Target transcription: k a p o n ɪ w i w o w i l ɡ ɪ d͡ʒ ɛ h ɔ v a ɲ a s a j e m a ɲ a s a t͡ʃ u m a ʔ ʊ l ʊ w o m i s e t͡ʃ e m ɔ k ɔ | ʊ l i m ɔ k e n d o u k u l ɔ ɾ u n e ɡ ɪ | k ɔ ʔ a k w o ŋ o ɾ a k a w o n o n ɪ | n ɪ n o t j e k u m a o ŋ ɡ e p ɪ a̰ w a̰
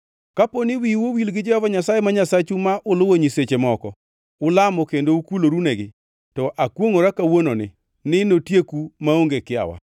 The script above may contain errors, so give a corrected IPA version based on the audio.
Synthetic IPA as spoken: k a p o n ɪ w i w o w i l ɡ ɪ d͡ʒ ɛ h ɔ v a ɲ a s a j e m a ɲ a s a t͡ʃ u m a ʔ ʊ l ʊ w o ɲ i s e t͡ʃ e m ɔ k ɔ | ʊ l a m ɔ k e n d o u k u l o ɾ u n e ɡ ɪ | t ɔ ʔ a k w o ŋ o ɾ a k a w o n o n ɪ | n ɪ n o t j e k u m a o ŋ ɡ e k ɪ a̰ w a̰

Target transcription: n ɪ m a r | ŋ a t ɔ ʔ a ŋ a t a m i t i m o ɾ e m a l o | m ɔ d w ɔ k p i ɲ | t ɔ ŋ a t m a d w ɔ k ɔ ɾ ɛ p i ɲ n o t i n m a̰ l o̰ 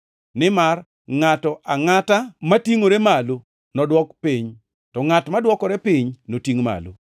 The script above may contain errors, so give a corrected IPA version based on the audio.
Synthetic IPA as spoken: n ɪ m a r | ŋ a t ɔ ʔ a ŋ a t a m a t i ŋ o ɾ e m a l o | n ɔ d w ɔ k p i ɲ | t ɔ ŋ a t m a d w ɔ k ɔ ɾ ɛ p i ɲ n o t i ŋ m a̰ l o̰

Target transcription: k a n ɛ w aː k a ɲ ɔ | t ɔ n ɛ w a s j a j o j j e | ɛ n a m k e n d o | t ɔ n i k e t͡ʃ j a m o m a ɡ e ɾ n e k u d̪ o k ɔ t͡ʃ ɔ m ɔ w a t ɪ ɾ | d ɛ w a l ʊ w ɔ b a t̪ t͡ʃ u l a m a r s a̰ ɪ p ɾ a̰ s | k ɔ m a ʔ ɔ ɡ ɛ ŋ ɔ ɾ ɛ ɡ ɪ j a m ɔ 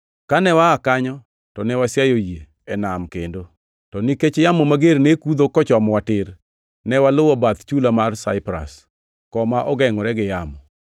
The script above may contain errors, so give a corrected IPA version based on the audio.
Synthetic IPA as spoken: k a n ɛ w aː k a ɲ ɔ | t ɔ n ɛ w a s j a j o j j e | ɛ n a m k e n d o | t ɔ n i k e t͡ʃ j a m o m a ɡ e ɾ n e k u d̪ o k ɔ t͡ʃ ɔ m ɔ w a t ɪ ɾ | n ɛ w a l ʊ w ɔ b a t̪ t͡ʃ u l a m a r s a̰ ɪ p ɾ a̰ s | k ɔ m a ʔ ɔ ɡ ɛ ŋ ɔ ɾ ɛ ɡ ɪ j a m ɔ

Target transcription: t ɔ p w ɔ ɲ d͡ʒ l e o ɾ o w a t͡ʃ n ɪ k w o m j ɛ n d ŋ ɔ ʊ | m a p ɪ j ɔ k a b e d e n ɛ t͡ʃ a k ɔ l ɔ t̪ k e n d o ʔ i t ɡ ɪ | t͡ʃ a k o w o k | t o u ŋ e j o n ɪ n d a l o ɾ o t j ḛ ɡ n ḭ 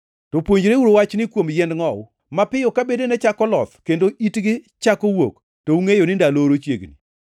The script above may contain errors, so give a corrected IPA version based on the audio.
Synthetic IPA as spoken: t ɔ p w o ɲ d͡ʒ ɾ e u ɾ o w a t͡ʃ n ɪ k w o m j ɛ n d ŋ ɔ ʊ | m a p ɪ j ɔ k a b e d e n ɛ t͡ʃ a k ɔ l ɔ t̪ k e n d o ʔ i t ɡ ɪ | t͡ʃ a k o w o k | t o u ŋ e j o n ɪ n d a l o ɾ o t͡ʃ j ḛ ɡ n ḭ

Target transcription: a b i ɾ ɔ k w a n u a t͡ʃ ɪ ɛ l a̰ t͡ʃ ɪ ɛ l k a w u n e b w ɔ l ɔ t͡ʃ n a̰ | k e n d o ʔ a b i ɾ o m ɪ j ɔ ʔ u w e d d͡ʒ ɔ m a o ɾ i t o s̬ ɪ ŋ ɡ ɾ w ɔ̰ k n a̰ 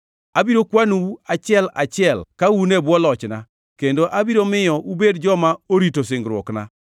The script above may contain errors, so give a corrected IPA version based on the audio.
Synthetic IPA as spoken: a b i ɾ o k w a n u a t͡ʃ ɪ ɛ l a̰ t͡ʃ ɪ ɛ l k a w u n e b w ɔ l ɔ t͡ʃ n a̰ | k e n d o ʔ a b i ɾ o m ɪ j ɔ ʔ u b e d d͡ʒ ɔ m a o ɾ i t o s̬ ɪ ŋ ɡ ɾ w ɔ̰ k n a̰

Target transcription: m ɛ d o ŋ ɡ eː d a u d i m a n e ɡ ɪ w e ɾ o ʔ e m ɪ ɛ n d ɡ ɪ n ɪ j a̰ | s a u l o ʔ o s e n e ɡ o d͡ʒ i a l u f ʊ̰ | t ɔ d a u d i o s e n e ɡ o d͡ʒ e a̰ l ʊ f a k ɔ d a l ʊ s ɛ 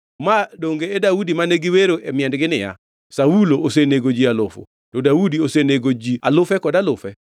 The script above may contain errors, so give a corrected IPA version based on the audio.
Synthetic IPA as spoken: m a d o ŋ ɡ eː d a u d i m a n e ɡ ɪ w e ɾ o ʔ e m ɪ ɛ n d ɡ ɪ n ɪ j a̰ | s a u l o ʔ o s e n e ɡ o d͡ʒ i a l ʊ f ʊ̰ | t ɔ d a u d i o s e n e ɡ o d͡ʒ i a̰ l ʊ f ɛ k ɔ d a l ʊ f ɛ

